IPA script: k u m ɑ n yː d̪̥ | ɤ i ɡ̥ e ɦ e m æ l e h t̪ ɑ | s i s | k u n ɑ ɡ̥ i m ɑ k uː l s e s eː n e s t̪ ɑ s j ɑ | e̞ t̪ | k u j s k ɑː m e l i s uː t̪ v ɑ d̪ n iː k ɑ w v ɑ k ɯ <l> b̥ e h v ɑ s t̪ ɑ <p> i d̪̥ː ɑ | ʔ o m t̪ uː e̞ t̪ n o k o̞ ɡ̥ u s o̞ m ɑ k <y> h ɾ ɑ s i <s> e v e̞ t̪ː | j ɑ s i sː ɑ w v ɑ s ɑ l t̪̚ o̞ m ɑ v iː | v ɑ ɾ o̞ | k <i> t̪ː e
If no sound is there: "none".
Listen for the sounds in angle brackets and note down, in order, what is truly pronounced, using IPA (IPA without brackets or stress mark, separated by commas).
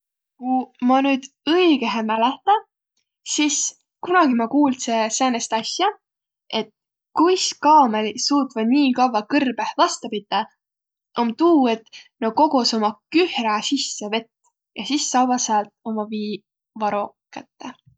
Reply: r, p, y, sː, æ